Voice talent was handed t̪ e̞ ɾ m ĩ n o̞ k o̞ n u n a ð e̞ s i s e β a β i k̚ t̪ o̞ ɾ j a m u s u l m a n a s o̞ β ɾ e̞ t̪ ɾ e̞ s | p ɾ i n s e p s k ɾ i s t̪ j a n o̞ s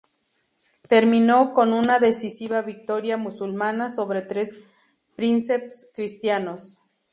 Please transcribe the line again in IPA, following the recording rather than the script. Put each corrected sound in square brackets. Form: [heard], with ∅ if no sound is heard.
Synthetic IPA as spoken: t̪ e̞ ɾ m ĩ n o̞ k o̞ n u n a ð e̞ s i s [i] β a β i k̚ t̪ o̞ ɾ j a m u s u l m a n a s o̞ β ɾ e̞ t̪ ɾ e̞ s | p ɾ i n s e p s k ɾ i s t̪ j a n o̞ s

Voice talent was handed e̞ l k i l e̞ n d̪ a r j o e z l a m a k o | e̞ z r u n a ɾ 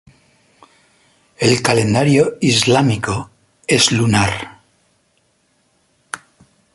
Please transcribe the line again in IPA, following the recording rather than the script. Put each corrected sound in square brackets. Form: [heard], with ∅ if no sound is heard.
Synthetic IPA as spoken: e̞ l k [a] l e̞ n d̪ a [ɾ] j o [i] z l a m [i] k o | e̞ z [l] u n a ɾ

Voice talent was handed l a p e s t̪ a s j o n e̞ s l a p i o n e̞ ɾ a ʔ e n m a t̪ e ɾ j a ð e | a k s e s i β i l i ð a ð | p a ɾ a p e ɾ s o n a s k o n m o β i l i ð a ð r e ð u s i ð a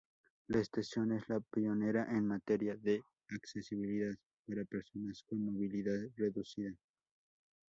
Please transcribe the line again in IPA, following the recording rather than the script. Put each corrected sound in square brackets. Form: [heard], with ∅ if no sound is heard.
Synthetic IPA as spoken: l a [∅] e s t̪ a s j o n e̞ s l a p i o n e̞ ɾ a ʔ e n m a t̪ e ɾ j a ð e | a k s e s i β i l i ð a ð | p a ɾ a p e ɾ s o n a s k o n m o β i l i ð a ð r e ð u s i ð a

